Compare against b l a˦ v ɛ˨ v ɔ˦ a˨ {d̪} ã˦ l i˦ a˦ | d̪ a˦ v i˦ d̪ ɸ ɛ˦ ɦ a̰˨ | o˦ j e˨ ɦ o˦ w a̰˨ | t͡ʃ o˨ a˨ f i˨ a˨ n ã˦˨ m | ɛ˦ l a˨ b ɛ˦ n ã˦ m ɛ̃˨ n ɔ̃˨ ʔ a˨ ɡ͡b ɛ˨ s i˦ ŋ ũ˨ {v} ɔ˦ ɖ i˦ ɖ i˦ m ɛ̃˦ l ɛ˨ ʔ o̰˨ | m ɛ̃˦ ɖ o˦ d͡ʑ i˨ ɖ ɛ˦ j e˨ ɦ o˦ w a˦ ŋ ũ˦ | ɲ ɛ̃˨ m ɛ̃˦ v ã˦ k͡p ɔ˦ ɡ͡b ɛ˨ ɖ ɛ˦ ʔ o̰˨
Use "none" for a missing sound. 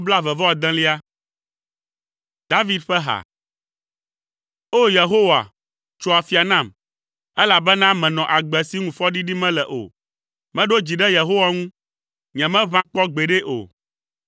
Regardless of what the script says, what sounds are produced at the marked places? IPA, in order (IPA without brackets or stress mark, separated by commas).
d̪, f